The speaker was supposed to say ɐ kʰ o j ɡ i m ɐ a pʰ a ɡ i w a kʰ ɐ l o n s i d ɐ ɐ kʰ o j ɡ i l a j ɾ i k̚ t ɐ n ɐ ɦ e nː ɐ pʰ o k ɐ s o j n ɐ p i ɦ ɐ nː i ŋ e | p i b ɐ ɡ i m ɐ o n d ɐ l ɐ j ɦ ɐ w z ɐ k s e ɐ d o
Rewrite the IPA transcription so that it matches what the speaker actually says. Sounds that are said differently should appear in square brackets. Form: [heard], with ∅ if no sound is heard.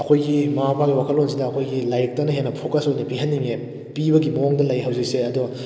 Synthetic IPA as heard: ɐ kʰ o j ɡ i m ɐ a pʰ a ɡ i w a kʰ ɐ l o n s i d ɐ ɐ kʰ o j ɡ i l a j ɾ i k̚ t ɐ n ɐ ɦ e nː ɐ pʰ o k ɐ s o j n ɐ p i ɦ ɐ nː i ŋ e | p i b ɐ ɡ i m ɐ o [ŋ] d ɐ l ɐ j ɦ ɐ w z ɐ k s e ɐ d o